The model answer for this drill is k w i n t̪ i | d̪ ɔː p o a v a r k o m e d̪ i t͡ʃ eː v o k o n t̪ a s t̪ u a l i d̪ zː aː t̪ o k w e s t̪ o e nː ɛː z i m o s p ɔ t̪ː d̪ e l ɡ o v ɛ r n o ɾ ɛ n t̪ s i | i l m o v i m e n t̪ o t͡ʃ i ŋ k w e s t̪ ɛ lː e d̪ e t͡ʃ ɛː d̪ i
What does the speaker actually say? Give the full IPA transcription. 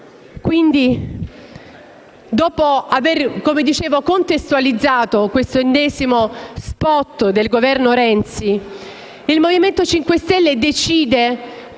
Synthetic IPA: k w i n d̪ i | d̪ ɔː p o a v e r k o m e d̪ i t͡ʃ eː v o k o n t̪ e s t̪ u a l i d̪ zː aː t̪ o k w e s t̪ o e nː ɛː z i m o s p ɔ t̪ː d̪ e l ɡ o v ɛ r n o ɾ ɛ n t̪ s i | i l m o v i m e n t̪ o t͡ʃ i ŋ k w e s t̪ ɛ lː e d̪ e t͡ʃ iː d̪ e

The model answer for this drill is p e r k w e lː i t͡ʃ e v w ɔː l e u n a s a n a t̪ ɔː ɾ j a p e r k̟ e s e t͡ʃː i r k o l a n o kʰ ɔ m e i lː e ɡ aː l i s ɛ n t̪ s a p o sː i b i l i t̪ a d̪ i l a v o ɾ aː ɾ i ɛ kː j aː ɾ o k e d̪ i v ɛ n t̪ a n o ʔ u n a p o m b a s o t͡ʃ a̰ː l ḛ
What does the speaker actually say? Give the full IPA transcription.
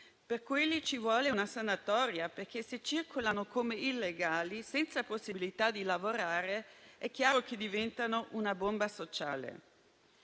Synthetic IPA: p e r k w e lː i t͡ʃ i v w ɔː l e u n a s a n a t̪ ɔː ɾ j a p e r k̟ e s e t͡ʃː i r k o l a n o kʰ o m e i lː e ɡ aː l i s ɛ n t̪ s a p o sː i b i l i t̪ a d̪ i l a v o ɾ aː ɾ e ɛ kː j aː ɾ o k e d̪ i v ɛ n t̪ a n o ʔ u n a b o m b a s o t͡ʃ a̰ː l ḛ

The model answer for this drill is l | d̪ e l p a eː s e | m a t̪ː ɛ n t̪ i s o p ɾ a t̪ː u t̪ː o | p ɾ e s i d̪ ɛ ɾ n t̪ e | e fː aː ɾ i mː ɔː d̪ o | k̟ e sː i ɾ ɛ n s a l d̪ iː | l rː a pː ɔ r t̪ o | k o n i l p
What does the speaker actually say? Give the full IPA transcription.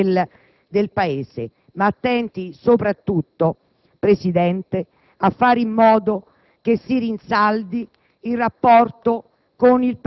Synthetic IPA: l | d̪ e l p a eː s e | m a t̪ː ɛ n t̪ i s o p ɾ a t̪ː u t̪ː o | p ɾ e s i d̪ ɛ n t̪ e | a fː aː ɾ i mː ɔː d̪ o | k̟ e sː i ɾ i n s a l d̪ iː | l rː a pː ɔ r t̪ o | k o n i l p

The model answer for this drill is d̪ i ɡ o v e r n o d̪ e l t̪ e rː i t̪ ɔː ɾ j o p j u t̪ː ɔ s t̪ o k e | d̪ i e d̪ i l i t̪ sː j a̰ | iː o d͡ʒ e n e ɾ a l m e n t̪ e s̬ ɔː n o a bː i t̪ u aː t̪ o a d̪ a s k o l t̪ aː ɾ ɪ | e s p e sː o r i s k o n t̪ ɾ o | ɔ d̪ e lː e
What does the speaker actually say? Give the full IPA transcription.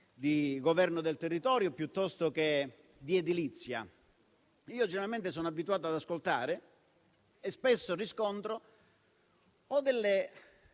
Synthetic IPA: d̪ i ɡ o v ɛ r n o d̪ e l t̪ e rː i t̪ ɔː ɾ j o p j u t̪ː ɔ s t̪ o k e | d̪ i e d̪ i l i t̪ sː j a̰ | iː o d͡ʒ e n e ɾ a l m e n t̪ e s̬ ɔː n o a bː i t̪ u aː t̪ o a d̪ a s k o l t̪ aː ɾ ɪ | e s p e sː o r i s k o n t̪ ɾ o | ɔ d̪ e lː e

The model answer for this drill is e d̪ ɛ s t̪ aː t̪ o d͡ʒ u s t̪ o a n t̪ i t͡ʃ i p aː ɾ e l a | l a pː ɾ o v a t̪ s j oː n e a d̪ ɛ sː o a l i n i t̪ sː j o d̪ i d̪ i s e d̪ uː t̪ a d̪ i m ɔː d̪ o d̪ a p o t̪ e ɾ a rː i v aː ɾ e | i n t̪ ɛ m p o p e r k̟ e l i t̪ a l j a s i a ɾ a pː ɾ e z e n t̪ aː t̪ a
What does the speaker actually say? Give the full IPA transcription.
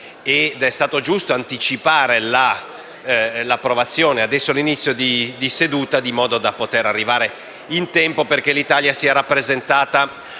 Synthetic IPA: e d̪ ɛ s t̪ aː t̪ o d͡ʒ u s t̪ o a n t̪ i t͡ʃ i p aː ɾ e l a | l a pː ɾ o v a t̪ sː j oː n e a d̪ ɛ sː o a l i n i t̪ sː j o d̪ i d̪ i s e d̪ uː t̪ a d̪ i m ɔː d̪ o d̪ a p o t̪ e ɾ a rː i v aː ɾ e | i n t̪ ɛ m p o p e r k̟ e l i t̪ a l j a s i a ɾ a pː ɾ e z e n t̪ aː t̪ a

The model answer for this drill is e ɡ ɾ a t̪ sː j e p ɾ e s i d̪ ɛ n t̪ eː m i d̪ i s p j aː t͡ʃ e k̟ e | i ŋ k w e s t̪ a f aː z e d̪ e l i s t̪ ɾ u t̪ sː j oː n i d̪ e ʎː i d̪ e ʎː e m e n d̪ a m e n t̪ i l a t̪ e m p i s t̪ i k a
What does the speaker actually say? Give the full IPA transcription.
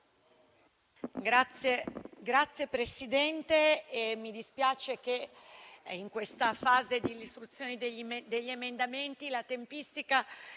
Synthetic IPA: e ɡ ɾ a t̪ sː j e p ɾ e s i d̪ ɛ n t̪ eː m i d̪ i s p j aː t͡ʃ e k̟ e | i ŋ k w e s t̪ a f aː z e d̪ i l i s t̪ ɾ u t̪ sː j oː n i d̪ e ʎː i d̪ e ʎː e m e n d̪ a m e n t̪ i l a t̪ e m p i s t̪ i k a

